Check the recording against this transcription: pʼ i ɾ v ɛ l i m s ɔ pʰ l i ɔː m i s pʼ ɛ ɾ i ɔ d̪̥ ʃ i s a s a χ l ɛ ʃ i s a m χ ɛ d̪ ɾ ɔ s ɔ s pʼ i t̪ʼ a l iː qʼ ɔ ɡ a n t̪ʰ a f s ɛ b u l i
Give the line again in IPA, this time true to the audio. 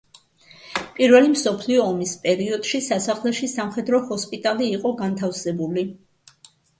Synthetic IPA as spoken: pʼ i ɾ v ɛ l i m s ɔ pʰ l i ɔː m i s pʼ ɛ ɾ i ɔ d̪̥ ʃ i s a s a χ l ɛ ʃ i s a m χ ɛ d̪ ɾ ɔ h ɔ s pʼ i t̪ʼ a l iː qʼ ɔ ɡ a n t̪ʰ a f s ɛ b u l i